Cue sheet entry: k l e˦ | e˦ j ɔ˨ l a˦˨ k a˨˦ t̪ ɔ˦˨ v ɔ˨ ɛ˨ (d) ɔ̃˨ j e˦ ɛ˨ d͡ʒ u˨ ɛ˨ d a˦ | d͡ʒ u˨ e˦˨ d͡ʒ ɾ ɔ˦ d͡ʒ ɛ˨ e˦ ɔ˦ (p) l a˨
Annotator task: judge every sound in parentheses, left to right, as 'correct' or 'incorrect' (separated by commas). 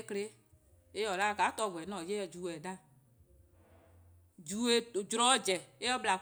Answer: incorrect, incorrect